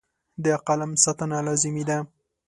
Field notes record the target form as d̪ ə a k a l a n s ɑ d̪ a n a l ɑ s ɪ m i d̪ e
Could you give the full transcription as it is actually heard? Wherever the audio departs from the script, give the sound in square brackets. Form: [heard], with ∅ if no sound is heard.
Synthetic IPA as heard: d̪ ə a [q] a l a [m] s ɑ [t̪] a n a l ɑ [z] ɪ m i d̪ [a]